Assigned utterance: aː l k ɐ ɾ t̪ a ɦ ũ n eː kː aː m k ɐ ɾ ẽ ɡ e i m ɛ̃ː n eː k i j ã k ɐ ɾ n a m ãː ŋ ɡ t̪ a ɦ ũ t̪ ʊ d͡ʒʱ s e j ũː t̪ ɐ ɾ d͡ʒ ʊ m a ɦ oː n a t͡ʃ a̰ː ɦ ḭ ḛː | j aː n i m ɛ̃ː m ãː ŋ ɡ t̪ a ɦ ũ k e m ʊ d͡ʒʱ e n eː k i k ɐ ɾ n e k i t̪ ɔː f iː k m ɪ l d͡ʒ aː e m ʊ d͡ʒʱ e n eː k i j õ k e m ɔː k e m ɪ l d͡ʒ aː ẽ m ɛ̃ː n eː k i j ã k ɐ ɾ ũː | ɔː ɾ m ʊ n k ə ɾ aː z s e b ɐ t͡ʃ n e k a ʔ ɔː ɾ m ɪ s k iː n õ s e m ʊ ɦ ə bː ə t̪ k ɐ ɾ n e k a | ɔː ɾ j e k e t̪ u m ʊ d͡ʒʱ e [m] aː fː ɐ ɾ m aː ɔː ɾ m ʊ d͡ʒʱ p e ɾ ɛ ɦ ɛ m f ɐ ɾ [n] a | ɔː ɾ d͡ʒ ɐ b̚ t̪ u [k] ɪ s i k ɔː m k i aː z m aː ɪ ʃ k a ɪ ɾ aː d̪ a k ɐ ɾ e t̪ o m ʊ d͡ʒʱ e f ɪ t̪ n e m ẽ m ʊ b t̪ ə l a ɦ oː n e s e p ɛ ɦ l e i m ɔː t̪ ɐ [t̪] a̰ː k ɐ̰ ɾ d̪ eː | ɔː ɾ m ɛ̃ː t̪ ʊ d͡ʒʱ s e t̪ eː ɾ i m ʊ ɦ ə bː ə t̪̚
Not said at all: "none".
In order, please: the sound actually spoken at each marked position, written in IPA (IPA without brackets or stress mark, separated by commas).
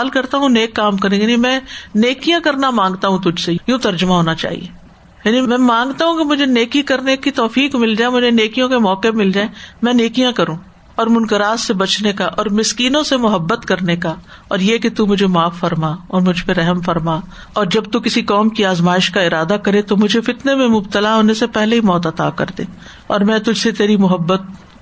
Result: m, m, k, t̪